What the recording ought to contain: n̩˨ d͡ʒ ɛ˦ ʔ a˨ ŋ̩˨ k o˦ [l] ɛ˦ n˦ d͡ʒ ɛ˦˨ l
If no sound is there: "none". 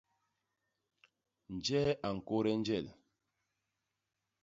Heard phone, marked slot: ɾ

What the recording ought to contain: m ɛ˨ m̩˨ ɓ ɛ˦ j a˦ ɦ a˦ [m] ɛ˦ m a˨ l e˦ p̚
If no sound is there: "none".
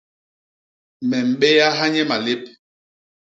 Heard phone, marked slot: ɲ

